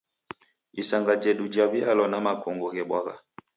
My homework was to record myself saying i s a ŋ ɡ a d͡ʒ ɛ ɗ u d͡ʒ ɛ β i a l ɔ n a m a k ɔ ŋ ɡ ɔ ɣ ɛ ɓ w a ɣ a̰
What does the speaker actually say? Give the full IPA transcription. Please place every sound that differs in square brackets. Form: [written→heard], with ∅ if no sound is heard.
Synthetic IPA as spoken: i s a ŋ ɡ a d͡ʒ ɛ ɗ u d͡ʒ [ɛ→a] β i a l ɔ n a m a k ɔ ŋ ɡ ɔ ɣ ɛ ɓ w a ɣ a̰